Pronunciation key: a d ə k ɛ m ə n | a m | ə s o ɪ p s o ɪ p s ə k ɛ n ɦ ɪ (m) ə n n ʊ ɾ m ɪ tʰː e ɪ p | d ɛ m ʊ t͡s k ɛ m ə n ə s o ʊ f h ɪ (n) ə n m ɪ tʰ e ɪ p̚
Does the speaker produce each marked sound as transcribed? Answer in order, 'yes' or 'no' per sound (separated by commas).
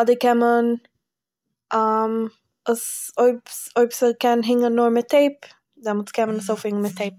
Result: no, no